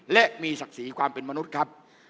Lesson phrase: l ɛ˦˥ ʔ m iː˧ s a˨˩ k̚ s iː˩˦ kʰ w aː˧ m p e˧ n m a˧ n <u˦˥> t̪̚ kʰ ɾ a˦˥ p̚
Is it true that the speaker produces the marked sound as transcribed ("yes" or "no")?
yes